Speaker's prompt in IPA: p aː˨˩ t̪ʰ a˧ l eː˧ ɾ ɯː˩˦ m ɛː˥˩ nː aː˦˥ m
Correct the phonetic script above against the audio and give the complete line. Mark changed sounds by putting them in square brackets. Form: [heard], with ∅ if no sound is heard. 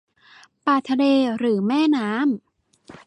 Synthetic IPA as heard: p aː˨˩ t̪ʰ a˧ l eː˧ ɾ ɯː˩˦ m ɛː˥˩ [n] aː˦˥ m